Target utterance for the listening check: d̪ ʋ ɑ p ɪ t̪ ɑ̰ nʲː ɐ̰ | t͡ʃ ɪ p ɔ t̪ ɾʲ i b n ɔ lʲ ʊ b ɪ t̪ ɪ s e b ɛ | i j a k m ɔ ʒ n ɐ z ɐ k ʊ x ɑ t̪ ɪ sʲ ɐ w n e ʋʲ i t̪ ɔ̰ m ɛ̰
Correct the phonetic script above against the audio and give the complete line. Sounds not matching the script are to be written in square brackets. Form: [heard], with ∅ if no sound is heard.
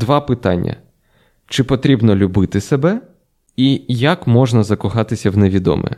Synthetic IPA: d̪ ʋ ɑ p ɪ t̪ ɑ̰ nʲː ɐ̰ | t͡ʃ ɪ p ɔ t̪ ɾʲ i b n ɔ lʲ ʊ b ɪ t̪ ɪ s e b ɛ | i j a k m ɔ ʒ n ɐ z ɐ k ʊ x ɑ t̪ ɪ sʲ ɐ w n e ʋʲ i [d̪] ɔ̰ m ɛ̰